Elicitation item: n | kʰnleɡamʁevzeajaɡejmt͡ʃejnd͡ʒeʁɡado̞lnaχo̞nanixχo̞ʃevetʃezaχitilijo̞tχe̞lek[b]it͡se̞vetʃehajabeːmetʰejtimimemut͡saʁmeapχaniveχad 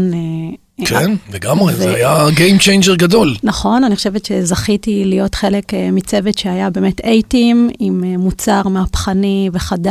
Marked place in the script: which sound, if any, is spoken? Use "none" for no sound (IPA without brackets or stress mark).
m